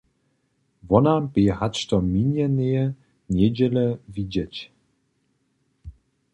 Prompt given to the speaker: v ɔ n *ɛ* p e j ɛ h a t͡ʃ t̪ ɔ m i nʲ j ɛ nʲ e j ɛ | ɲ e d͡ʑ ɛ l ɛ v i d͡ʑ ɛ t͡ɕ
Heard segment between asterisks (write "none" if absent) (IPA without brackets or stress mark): a